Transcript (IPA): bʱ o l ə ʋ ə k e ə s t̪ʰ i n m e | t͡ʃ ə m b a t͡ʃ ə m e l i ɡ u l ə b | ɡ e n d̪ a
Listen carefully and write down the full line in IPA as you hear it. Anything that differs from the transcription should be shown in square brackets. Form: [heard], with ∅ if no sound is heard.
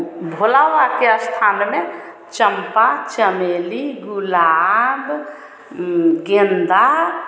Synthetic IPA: bʱ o l [a] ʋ [a] k e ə s t̪ʰ [a] n m e | t͡ʃ ə m [p] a t͡ʃ ə m e l i ɡ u l [a] b | ɡ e n d̪ a